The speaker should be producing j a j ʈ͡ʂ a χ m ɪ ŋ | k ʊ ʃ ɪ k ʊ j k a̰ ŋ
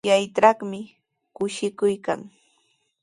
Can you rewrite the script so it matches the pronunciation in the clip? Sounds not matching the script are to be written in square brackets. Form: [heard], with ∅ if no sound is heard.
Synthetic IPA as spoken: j a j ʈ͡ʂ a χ m ɪ [∅] | k ʊ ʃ ɪ k ʊ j k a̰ ŋ